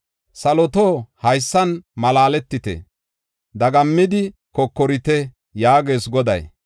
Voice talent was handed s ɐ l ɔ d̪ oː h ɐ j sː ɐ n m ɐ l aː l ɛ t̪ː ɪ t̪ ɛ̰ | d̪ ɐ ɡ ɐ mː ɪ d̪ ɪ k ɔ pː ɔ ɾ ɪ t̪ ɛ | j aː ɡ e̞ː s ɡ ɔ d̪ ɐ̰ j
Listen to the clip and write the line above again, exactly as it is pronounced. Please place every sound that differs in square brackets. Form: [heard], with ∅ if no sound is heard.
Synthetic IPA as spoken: s ɐ l ɔ [t̪] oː h ɐ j sː ɐ n m ɐ l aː l ɛ t̪ː ɪ t̪ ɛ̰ | d̪ ɐ ɡ ɐ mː ɪ d̪ ɪ k ɔ [kː] ɔ ɾ ɪ t̪ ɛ | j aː ɡ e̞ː s ɡ ɔ d̪ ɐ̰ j